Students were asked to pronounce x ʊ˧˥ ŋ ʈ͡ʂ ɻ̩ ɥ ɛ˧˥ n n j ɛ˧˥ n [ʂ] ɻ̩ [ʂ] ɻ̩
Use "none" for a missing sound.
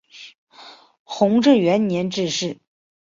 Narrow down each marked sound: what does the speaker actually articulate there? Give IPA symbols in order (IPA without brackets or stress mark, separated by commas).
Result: ʈ͡ʂ, ʂ